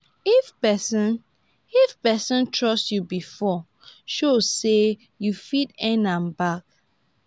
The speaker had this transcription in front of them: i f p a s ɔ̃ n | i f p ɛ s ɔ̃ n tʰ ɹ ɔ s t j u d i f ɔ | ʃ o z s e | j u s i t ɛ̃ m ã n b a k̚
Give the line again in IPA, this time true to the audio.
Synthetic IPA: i f p ɛ s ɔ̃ n | i f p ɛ s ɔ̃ n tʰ ɹ ɔ s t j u b i f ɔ | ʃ o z s e | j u f i t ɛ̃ n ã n b a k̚